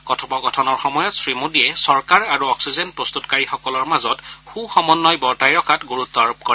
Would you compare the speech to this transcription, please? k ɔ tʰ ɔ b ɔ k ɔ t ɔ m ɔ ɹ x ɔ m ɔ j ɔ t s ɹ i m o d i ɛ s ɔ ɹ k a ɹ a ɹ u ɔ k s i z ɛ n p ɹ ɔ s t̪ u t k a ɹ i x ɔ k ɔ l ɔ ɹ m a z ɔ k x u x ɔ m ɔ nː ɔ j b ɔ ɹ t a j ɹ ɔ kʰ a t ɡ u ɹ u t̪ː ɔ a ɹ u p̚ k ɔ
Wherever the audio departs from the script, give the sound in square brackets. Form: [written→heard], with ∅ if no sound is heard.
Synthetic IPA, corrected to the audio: k ɔ tʰ ɔ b ɔ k ɔ [t→tʰ] ɔ [m→n] ɔ ɹ x ɔ m ɔ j ɔ t s ɹ i m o d i ɛ s ɔ ɹ k a ɹ a ɹ u ɔ k s i z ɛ n p ɹ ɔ s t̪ u t k a ɹ i x ɔ k ɔ l ɔ ɹ m a z ɔ [k→t] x u x ɔ m ɔ nː ɔ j b ɔ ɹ t a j ɹ ɔ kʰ a t ɡ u ɹ u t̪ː ɔ a ɹ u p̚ k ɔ